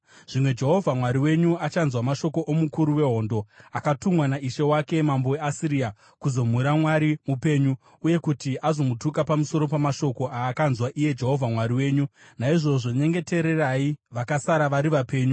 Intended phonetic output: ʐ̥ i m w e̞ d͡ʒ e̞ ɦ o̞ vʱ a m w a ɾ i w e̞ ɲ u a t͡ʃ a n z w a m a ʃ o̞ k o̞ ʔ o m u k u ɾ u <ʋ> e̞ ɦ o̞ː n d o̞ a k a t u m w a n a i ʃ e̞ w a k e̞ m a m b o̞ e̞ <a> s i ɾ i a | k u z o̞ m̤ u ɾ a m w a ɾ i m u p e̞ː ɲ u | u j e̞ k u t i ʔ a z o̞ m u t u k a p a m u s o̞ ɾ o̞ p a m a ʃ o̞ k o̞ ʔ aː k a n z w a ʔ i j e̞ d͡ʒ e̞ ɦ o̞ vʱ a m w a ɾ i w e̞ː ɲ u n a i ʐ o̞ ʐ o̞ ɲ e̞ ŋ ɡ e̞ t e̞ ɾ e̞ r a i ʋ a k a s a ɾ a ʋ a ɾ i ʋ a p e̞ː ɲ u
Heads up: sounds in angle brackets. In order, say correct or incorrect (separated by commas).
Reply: incorrect, correct